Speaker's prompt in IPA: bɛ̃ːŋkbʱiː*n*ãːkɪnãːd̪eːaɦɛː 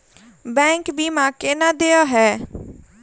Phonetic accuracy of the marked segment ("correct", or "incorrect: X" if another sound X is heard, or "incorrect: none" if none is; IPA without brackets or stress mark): incorrect: m